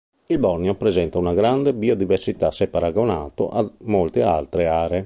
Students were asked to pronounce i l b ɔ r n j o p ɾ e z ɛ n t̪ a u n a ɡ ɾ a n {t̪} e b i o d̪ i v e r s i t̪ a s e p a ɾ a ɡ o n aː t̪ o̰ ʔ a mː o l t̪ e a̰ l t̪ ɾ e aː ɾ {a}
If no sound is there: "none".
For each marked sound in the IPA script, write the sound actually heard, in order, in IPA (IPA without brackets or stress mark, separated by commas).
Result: d̪, e